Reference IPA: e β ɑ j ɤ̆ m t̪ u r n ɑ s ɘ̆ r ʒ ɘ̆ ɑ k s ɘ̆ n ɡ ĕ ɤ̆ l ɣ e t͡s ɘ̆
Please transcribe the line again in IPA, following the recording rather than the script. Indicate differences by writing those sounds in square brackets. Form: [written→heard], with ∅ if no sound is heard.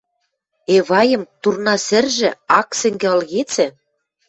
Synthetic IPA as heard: e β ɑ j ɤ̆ m t̪ u r n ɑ s ɘ̆ r ʒ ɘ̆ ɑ k s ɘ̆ [n→ŋ] ɡ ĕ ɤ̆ l ɣ e t͡s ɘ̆